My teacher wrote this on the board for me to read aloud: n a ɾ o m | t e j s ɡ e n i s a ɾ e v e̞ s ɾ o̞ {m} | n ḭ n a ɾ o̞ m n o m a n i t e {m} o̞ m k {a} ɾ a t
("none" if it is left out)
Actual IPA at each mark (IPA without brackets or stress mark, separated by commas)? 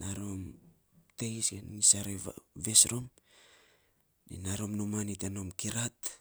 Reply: m, n, i